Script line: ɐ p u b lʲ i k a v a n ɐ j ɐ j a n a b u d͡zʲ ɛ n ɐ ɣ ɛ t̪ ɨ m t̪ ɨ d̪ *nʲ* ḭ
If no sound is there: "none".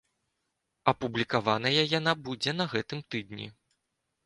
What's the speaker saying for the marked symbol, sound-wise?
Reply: nʲ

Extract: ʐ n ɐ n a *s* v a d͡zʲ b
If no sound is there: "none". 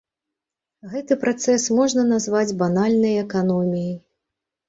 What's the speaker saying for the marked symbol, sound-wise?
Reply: z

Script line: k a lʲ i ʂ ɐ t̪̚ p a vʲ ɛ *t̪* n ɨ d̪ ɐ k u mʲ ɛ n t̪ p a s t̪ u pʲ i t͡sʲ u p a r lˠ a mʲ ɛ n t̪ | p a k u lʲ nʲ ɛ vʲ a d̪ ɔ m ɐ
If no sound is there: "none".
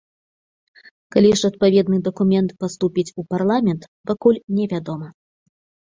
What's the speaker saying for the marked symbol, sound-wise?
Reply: d̪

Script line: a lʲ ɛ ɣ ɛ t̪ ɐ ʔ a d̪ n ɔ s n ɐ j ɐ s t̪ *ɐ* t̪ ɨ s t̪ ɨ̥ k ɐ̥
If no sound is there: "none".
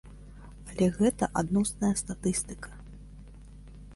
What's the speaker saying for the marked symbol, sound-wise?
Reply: a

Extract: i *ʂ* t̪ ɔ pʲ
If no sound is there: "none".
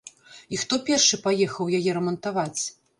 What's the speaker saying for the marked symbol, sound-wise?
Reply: x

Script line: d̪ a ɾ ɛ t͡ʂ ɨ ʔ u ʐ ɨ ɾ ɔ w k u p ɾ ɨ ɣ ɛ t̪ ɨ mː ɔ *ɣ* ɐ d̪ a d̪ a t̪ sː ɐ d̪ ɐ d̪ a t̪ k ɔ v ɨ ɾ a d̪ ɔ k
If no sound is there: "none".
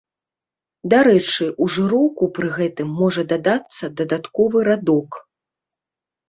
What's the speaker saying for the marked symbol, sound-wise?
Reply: ʐ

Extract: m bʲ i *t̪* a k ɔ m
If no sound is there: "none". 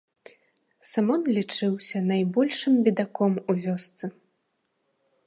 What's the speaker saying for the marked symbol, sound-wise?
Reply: d̪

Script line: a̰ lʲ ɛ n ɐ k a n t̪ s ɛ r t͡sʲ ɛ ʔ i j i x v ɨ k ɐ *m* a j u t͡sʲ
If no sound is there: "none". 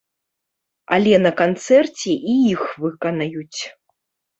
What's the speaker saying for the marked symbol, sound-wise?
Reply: n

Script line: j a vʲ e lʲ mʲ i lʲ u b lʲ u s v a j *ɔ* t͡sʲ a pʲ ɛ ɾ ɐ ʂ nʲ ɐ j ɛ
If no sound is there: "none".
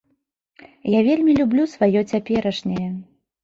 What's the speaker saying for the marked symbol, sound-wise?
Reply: ɔ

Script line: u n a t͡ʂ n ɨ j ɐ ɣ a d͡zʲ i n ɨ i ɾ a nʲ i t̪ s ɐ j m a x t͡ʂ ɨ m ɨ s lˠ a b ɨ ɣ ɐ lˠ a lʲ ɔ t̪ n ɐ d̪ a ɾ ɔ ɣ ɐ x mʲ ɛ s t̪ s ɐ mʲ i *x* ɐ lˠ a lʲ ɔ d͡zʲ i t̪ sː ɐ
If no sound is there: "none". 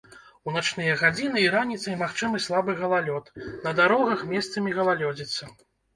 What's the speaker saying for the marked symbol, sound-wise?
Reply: ɣ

